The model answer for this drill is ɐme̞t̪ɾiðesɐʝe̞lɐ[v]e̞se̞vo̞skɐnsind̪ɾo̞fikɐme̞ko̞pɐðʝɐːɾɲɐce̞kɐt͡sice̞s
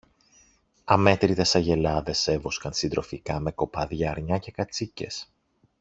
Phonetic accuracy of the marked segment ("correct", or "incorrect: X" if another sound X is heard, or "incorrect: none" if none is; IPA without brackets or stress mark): incorrect: ð